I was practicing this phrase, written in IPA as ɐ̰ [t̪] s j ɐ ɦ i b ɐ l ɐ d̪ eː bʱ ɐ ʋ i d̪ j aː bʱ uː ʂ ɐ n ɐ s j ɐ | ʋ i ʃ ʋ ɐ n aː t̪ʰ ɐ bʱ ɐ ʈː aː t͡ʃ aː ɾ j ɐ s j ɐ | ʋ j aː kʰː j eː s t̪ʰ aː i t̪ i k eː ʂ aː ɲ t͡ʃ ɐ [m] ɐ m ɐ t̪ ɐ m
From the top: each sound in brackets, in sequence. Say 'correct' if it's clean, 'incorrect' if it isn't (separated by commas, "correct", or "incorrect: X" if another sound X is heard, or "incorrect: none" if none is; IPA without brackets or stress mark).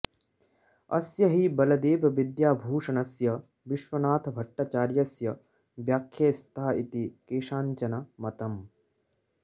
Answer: incorrect: none, incorrect: n